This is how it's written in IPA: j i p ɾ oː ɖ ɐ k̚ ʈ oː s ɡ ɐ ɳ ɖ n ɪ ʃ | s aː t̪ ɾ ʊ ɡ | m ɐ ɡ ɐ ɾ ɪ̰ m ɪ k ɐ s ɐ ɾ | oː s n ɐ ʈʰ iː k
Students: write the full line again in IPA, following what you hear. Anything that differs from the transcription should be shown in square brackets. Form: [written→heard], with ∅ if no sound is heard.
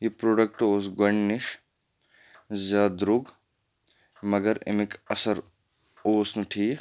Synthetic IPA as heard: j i p ɾ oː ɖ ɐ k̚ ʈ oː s ɡ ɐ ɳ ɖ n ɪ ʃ | [s→z] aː [t̪→d̪] ɾ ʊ ɡ | m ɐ ɡ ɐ ɾ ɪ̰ m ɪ k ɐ s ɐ ɾ | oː s n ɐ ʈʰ iː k

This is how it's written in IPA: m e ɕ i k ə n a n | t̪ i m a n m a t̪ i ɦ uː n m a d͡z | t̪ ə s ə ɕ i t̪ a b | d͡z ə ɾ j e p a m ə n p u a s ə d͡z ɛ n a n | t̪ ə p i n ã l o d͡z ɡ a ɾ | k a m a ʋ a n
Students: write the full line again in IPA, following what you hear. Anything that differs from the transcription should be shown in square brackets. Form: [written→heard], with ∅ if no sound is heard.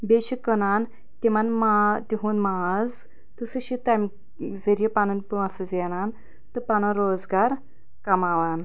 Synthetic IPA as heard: [m→b] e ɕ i k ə n a n | t̪ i m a n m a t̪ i ɦ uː n m a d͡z | t̪ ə s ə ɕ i t̪ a [b→m] | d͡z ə ɾ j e p a [m→n] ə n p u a s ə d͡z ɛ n a n | t̪ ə p [i→a] n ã [l→ɾ] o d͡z ɡ a ɾ | k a m a ʋ a n

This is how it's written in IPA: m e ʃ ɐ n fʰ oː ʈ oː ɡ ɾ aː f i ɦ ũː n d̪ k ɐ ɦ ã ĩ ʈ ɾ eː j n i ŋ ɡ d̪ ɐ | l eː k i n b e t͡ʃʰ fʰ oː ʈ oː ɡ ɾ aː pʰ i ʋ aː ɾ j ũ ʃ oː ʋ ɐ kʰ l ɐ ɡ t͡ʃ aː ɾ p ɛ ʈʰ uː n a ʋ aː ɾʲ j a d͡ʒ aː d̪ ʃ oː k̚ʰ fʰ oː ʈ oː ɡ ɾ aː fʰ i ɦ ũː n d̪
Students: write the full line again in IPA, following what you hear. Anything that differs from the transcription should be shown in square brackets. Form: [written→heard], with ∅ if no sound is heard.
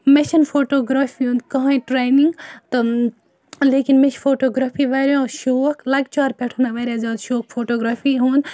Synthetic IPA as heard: m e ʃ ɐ n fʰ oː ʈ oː ɡ ɾ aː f i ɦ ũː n d̪ k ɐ ɦ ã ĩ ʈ ɾ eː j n i ŋ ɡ [d̪→t̪] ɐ | l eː k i n [b→m] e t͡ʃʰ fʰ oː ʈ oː ɡ ɾ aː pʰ i ʋ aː ɾ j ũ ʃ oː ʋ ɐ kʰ l ɐ ɡ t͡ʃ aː ɾ p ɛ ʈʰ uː n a ʋ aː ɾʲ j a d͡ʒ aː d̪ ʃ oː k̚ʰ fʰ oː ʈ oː ɡ ɾ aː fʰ i ɦ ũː n d̪

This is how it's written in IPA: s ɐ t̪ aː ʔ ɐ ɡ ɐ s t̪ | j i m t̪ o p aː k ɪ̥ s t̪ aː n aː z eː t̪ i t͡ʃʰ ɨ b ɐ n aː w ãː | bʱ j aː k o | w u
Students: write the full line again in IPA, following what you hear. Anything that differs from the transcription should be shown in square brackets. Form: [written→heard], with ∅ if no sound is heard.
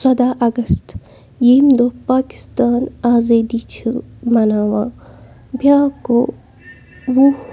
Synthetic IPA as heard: s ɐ [t̪→d̪] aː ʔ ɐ ɡ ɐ s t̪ | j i m [t̪→d̪] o p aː k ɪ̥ s t̪ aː n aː z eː [t̪→d̪] i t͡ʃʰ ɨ [b→m] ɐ n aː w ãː | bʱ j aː k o | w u

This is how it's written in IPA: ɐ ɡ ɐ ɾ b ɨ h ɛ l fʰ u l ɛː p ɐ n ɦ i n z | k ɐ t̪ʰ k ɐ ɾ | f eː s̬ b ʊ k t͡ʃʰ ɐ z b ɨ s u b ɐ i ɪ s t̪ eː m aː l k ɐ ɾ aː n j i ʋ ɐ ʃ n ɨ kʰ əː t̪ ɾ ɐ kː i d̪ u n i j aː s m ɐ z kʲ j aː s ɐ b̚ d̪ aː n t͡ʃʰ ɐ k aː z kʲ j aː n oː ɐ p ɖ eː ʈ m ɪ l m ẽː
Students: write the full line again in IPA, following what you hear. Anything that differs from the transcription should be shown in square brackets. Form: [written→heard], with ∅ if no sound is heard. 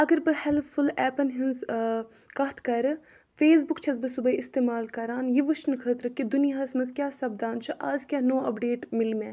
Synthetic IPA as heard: ɐ ɡ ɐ ɾ b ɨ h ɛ l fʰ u l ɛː p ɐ n ɦ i n z | k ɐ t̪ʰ k ɐ ɾ | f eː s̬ b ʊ k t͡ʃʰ ɐ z b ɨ s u b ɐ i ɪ s t̪ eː m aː l k ɐ ɾ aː n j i ʋ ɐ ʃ n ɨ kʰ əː t̪ ɾ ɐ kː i d̪ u n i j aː s m ɐ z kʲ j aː s ɐ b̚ d̪ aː n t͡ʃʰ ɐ [k→ʔ] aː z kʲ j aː n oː ɐ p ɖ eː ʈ m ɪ l m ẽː

